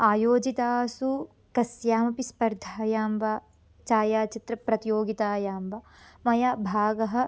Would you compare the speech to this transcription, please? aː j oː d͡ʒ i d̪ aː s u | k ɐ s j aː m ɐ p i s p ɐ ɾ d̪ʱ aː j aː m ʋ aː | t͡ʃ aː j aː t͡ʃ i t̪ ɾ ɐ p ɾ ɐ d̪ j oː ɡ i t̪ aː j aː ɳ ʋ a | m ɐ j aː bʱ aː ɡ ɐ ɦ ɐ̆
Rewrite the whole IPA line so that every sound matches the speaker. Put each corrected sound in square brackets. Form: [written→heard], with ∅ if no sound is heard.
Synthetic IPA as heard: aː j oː d͡ʒ i [d̪→t̪] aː s u | k ɐ s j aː m ɐ p i s p ɐ ɾ d̪ʱ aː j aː m ʋ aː | t͡ʃ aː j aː t͡ʃ i t̪ ɾ ɐ p ɾ ɐ [d̪→t̪] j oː ɡ i t̪ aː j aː [ɳ→m] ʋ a | m ɐ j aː bʱ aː ɡ ɐ ɦ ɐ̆